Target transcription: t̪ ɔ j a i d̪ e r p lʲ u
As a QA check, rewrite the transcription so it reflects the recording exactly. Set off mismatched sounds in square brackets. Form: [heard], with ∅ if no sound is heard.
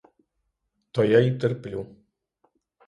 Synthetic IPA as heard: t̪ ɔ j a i [t̪] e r p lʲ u